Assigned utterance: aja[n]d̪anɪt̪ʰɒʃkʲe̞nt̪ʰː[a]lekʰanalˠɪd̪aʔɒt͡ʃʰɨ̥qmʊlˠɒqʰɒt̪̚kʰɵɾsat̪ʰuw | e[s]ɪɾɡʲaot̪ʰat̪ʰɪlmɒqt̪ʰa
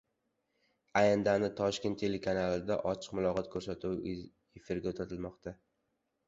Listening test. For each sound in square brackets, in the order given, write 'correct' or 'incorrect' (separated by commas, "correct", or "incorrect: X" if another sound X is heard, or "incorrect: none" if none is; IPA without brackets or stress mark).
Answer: correct, incorrect: e, incorrect: f